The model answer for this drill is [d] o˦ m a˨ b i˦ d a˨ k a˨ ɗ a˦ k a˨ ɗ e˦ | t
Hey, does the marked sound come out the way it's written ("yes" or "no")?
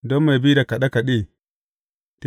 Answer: yes